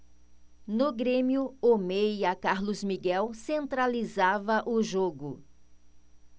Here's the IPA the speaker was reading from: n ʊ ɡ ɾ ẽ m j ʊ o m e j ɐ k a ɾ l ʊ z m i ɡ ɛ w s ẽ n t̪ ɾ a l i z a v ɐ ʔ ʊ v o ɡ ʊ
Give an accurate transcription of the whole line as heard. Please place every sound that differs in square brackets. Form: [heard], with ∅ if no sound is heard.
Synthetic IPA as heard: n ʊ ɡ ɾ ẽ m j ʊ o m e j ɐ k a ɾ l ʊ z m i ɡ ɛ w s ẽ n t̪ ɾ a l i z a v ɐ ʔ ʊ [ʒ] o ɡ ʊ